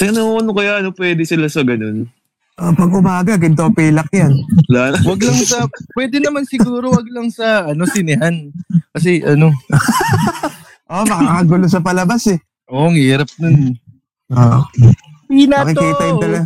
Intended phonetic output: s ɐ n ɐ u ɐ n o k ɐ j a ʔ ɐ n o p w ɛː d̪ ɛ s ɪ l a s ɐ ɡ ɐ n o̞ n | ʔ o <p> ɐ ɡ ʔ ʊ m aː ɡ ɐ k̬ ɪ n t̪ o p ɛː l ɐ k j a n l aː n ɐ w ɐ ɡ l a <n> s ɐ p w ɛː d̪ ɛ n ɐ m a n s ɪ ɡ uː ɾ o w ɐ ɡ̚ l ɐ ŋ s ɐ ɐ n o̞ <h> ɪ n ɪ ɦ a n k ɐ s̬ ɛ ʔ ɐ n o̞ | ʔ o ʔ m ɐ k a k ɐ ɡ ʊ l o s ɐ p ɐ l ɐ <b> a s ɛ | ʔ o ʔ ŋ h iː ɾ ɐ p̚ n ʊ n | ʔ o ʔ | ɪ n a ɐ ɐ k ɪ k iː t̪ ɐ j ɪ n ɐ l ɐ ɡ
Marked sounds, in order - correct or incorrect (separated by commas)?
correct, incorrect, incorrect, correct